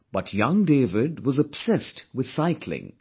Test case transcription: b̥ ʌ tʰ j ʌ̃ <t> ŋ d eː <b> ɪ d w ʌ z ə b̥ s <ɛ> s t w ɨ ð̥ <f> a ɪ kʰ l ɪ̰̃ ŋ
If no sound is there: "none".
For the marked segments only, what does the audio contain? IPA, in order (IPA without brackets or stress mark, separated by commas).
none, v, ɛ, s